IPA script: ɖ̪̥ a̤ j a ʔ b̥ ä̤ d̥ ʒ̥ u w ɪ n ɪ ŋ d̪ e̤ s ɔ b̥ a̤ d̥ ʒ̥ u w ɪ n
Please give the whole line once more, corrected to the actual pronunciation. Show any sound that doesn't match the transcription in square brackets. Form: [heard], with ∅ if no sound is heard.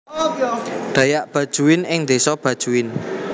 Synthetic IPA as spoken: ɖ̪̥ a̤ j a ʔ b̥ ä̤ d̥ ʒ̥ u w ɪ n ɪ ŋ d̪ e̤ s ɔ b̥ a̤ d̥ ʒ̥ u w ɪ n